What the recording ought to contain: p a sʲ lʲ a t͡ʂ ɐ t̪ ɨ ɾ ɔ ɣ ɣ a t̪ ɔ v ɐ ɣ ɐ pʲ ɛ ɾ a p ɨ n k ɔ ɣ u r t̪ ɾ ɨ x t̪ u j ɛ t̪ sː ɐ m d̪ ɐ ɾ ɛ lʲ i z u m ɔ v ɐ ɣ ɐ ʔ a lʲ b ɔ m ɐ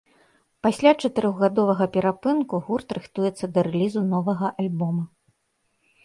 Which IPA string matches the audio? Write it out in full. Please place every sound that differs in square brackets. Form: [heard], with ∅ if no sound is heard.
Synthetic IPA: p a sʲ lʲ a t͡ʂ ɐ t̪ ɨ ɾ ɔ ɣ ɣ a [d̪] ɔ v ɐ ɣ ɐ pʲ ɛ ɾ a p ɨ n k [u] ɣ u r t̪ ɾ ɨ x t̪ u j ɛ t̪ sː ɐ [∅] d̪ ɐ ɾ ɛ lʲ i z u [n] ɔ v ɐ ɣ ɐ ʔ a lʲ b ɔ m ɐ

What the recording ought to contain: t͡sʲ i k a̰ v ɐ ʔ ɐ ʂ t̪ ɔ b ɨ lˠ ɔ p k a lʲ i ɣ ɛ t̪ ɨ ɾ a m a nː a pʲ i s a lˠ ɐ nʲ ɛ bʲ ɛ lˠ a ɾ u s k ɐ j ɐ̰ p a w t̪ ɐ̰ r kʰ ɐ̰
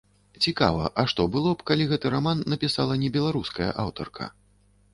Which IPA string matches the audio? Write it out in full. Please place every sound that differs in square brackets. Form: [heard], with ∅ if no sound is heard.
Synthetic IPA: t͡sʲ i k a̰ v ɐ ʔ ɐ ʂ t̪ ɔ b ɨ lˠ ɔ p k a lʲ i ɣ ɛ t̪ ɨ ɾ a m a nː [ɐ] pʲ i s a lˠ ɐ nʲ ɛ bʲ ɛ lˠ a ɾ u s k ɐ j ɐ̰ [ʔ] a w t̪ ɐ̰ r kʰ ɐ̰

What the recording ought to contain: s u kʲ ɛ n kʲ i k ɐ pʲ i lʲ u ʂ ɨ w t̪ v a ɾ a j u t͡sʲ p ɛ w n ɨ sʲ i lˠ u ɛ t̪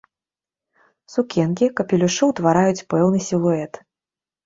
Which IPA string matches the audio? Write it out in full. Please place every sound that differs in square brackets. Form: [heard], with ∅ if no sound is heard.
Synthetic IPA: s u kʲ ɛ n kʲ i k ɐ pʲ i lʲ u ʂ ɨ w t̪ v a ɾ a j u t͡sʲ p ɛ w n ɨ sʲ i lˠ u ɛ t̪

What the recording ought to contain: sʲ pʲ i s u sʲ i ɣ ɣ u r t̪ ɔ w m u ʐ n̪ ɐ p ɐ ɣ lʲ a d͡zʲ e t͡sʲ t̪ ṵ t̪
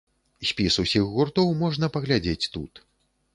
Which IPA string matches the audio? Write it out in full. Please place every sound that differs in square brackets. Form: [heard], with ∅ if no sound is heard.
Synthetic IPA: sʲ pʲ i s u sʲ i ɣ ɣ u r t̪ ɔ w m [ɔ] ʐ n̪ ɐ p ɐ ɣ lʲ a d͡zʲ e t͡sʲ t̪ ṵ t̪

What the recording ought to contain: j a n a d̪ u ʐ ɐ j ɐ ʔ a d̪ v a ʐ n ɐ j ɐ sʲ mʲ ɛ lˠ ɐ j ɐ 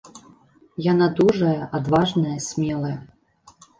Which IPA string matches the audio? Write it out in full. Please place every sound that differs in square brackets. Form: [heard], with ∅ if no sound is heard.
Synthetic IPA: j a n a d̪ u ʐ ɐ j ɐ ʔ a d̪ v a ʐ n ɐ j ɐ sʲ mʲ ɛ lˠ ɐ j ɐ

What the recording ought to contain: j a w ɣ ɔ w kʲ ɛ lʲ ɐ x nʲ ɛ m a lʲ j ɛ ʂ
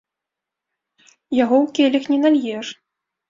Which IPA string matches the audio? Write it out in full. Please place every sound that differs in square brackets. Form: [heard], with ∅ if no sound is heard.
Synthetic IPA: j a [∅] ɣ ɔ w kʲ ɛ lʲ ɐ x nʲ ɛ [n] a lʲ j ɛ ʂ

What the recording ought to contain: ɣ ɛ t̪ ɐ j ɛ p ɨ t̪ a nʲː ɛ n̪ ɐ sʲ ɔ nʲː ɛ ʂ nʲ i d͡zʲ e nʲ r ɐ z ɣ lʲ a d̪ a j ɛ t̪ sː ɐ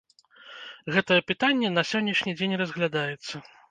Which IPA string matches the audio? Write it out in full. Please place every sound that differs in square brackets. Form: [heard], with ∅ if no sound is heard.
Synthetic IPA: ɣ ɛ t̪ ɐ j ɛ p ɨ t̪ a nʲː ɛ n̪ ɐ sʲ ɔ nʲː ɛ ʂ nʲ i d͡zʲ e nʲ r ɐ z ɣ lʲ a d̪ a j ɛ t̪ sː ɐ

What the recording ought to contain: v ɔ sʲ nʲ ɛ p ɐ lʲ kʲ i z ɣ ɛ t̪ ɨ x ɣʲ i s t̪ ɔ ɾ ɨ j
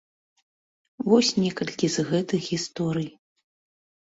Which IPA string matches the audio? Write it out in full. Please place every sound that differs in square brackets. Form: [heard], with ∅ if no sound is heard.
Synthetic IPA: v ɔ sʲ nʲ ɛ [k] ɐ lʲ kʲ i z ɣ ɛ t̪ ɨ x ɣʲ i s t̪ ɔ ɾ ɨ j

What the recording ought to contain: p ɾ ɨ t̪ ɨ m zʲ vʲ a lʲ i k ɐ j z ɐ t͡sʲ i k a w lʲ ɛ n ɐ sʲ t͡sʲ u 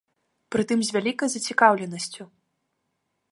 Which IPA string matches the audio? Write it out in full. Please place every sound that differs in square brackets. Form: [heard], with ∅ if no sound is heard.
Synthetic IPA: p ɾ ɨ t̪ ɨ m zʲ vʲ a lʲ i k ɐ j z ɐ t͡sʲ i k a w lʲ ɛ n ɐ sʲ t͡sʲ u

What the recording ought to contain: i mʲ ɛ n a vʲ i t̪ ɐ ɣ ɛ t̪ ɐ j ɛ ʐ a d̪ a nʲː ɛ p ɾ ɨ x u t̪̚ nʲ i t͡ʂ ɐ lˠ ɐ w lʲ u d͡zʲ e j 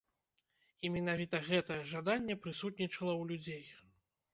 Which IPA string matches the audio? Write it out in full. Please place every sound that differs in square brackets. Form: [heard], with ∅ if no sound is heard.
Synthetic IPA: i mʲ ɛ n a vʲ i t̪ ɐ ɣ ɛ t̪ ɐ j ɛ ʐ a d̪ a nʲː ɛ p ɾ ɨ [s] u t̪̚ nʲ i t͡ʂ ɐ lˠ ɐ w lʲ u d͡zʲ e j

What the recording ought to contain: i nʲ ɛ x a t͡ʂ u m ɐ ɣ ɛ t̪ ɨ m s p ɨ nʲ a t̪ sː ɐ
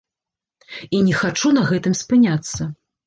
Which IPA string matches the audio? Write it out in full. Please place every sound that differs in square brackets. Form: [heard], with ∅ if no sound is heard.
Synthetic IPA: i nʲ ɛ x a t͡ʂ u [n] ɐ ɣ ɛ t̪ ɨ m s p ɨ nʲ a t̪ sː ɐ

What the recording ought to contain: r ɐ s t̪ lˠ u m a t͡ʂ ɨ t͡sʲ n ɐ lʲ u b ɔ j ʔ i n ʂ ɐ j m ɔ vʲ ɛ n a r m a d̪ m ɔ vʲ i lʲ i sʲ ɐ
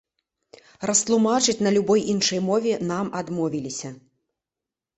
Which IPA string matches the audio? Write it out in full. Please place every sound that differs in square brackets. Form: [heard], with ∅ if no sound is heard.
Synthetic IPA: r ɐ s t̪ lˠ u m a t͡ʂ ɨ t͡sʲ n ɐ lʲ u b ɔ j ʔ i n ʂ ɐ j m ɔ vʲ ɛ n a [∅] m a d̪ m ɔ vʲ i lʲ i sʲ ɐ

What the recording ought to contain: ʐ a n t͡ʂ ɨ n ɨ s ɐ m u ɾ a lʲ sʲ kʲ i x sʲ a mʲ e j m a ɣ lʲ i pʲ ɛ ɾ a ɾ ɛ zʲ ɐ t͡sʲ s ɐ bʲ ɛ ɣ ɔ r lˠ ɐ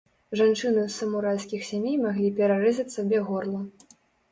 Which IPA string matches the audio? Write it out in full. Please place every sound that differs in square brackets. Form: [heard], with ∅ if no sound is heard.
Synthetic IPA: ʐ a n t͡ʂ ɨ n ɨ s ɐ m u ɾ a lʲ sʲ kʲ i x sʲ a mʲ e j m a ɣ lʲ i pʲ ɛ ɾ a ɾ ɛ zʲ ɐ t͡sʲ s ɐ bʲ ɛ ɣ ɔ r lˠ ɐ

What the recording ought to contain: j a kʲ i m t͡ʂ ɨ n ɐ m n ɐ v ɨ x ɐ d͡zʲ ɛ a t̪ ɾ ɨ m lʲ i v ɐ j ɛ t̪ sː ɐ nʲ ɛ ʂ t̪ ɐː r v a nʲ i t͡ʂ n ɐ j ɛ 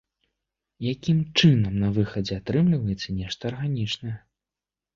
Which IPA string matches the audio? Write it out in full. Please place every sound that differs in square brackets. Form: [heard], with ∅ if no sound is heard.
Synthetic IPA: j a kʲ i m t͡ʂ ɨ n ɐ m n ɐ v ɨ x ɐ d͡zʲ ɛ a t̪ ɾ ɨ m lʲ i v ɐ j ɛ t̪ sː ɐ nʲ ɛ ʂ t̪ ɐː r [ɣ] a nʲ i t͡ʂ n ɐ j ɛ

